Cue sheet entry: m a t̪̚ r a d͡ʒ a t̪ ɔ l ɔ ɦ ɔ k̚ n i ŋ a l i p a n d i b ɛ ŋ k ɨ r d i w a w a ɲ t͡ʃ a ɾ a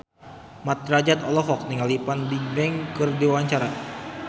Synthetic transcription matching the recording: m a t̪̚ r a d͡ʒ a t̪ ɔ l ɔ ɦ ɔ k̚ n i ŋ a l i p a n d i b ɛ ŋ k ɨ r d i w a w a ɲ t͡ʃ a ɾ a